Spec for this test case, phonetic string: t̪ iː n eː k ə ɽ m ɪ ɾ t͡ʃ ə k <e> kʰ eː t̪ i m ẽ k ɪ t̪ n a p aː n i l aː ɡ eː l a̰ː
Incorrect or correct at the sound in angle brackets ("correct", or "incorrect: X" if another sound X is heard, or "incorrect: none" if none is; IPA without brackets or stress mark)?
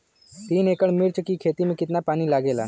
incorrect: i